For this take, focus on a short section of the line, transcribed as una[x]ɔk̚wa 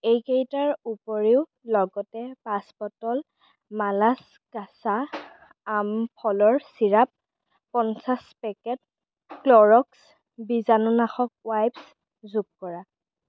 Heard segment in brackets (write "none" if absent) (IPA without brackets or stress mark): x